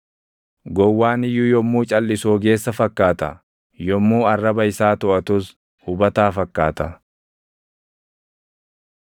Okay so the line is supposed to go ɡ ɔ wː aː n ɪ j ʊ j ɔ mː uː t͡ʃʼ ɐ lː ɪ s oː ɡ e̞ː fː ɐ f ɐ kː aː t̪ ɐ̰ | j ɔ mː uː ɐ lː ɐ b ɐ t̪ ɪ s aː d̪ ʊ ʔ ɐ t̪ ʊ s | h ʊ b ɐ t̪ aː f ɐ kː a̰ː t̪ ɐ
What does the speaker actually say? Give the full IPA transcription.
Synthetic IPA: ɡ ɔ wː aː n ɪ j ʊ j ɔ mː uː t͡ʃʼ ɐ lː ɪ s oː ɡ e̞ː sː ɐ f ɐ kː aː t̪ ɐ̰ | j ɔ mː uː ɐ rː ɐ b ɐ ɪ s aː t̪ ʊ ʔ ɐ t̪ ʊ s | h ʊ b ɐ t̪ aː f ɐ kː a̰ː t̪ ɐ

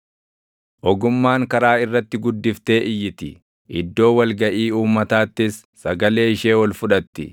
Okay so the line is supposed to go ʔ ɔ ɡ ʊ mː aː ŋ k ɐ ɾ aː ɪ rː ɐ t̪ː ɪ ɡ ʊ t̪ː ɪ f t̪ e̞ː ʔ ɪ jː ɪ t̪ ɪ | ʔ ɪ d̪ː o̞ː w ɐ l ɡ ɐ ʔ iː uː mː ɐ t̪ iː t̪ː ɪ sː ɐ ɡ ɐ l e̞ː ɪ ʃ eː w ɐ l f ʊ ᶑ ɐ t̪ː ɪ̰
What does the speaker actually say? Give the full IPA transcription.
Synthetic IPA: ʔ ɔ ɡ ʊ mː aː ŋ k ɐ ɾ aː ɪ rː ɐ t̪ː ɪ ɡ ʊ d̪ː ɪ f t̪ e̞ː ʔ ɪ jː ɪ t̪ ɪ | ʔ ɪ d̪ː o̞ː w ɐ l ɡ ɐ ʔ iː uː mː ɐ t̪ aː t̪ː ɪ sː ɐ ɡ ɐ l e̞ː ɪ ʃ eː w ɐ l f ʊ ᶑ ɐ t̪ː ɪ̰

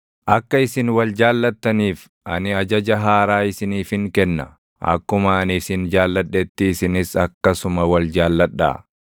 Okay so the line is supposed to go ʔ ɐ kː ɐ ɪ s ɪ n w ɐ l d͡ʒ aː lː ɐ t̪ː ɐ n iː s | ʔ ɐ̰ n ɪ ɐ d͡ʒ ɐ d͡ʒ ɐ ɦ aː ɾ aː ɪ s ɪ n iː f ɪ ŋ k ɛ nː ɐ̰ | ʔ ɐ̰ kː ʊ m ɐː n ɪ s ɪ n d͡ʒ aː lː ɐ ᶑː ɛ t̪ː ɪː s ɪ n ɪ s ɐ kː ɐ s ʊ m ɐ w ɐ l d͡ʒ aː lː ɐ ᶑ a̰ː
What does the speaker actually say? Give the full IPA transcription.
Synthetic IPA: ʔ ɐ kː ɐ ɪ s ɪ n w ɐ l d͡ʒ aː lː ɐ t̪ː ɐ n iː f | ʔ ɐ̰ n ɪ ɐ d͡ʒ ɐ d͡ʒ ɐ ɦ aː ɾ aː ɪ s ɪ n iː f ɪ ŋ k ɛ nː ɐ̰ | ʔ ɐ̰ kː ʊ m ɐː n ɪ s ɪ n d͡ʒ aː lː ɐ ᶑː ɛ t̪ː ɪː s ɪ n ɪ s ɐ kː ɐ s ʊ m ɐ w ɐ l d͡ʒ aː lː ɐ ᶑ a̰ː

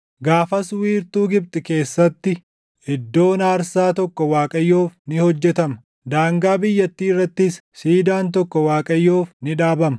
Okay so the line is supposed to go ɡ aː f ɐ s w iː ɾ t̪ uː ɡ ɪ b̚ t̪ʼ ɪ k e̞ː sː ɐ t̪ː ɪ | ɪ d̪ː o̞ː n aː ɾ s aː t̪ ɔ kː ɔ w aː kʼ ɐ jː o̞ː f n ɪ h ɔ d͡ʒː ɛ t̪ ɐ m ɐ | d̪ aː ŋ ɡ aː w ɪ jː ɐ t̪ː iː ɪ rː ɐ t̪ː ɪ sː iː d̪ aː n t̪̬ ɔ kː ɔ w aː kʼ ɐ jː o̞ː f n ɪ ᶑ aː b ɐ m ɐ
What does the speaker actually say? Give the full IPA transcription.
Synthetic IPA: ɡ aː f ɐ s w iː ɾ t̪ uː ɡ ɪ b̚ t̪ʼ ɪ k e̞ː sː ɐ t̪ː ɪ | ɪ d̪ː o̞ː n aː ɾ s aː t̪ ɔ kː ɔ w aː kʼ ɐ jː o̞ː f n ɪ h ɔ d͡ʒː ɛ t̪ ɐ m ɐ | d̪ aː ŋ ɡ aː b ɪ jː ɐ t̪ː iː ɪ rː ɐ t̪ː ɪ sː iː d̪ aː n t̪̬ ɔ kː ɔ w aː kʼ ɐ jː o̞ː f n ɪ ᶑ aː b ɐ m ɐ

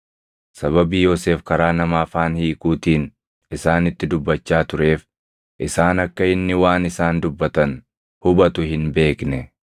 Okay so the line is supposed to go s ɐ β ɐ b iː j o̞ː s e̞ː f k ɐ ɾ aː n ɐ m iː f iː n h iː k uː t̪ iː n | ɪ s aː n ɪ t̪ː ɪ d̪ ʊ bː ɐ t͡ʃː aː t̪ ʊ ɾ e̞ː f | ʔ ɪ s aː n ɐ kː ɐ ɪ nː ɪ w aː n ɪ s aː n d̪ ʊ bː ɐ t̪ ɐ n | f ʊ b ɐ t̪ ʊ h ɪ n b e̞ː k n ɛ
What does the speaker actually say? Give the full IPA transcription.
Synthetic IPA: s ɐ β ɐ b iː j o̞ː s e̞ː f k ɐ ɾ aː n ɐ m aː f aː n h iː k uː t̪ iː n | ɪ s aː n ɪ t̪ː ɪ d̪ ʊ bː ɐ t͡ʃː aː t̪ ʊ ɾ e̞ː f | ʔ ɪ s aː n ɐ kː ɐ ɪ nː ɪ w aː n ɪ s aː n d̪ ʊ bː ɐ t̪ ɐ n | h ʊ b ɐ t̪ ʊ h ɪ n b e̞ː k n ɛ

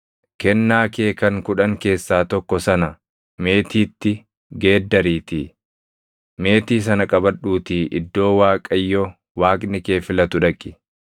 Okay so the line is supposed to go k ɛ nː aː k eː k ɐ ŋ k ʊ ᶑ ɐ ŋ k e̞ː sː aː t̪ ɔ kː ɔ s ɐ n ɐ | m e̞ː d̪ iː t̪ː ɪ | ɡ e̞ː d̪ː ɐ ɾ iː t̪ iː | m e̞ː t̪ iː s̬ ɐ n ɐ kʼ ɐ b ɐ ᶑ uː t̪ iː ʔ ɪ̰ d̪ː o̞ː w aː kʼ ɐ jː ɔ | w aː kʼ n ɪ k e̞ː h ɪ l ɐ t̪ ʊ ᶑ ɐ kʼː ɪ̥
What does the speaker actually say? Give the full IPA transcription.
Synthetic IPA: k ɛ nː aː k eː k ɐ ŋ k ʊ ᶑ ɐ ŋ k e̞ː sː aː t̪ ɔ kː ɔ s ɐ n ɐ | m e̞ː t̪ iː t̪ː ɪ | ɡ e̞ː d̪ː ɐ ɾ iː t̪ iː | m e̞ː t̪ iː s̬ ɐ n ɐ kʼ ɐ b ɐ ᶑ uː t̪ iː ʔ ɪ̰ d̪ː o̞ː w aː kʼ ɐ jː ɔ | w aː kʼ n ɪ k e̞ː f ɪ l ɐ t̪ ʊ ᶑ ɐ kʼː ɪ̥

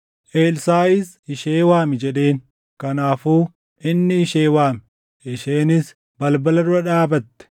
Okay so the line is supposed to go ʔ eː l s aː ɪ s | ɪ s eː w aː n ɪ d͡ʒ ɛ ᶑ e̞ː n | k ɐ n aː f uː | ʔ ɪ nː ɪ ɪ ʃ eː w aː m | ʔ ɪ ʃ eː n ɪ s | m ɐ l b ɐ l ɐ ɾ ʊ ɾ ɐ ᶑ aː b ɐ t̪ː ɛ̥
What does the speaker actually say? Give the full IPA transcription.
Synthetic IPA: ʔ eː l s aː ɪ s | ɪ ʃ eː w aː m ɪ d͡ʒ ɛ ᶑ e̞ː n | k ɐ n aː f uː | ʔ ɪ nː ɪ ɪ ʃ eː w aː m | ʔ ɪ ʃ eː n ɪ s | b ɐ l b ɐ l ɐ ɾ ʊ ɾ ɐ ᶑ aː b ɐ t̪ː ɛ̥

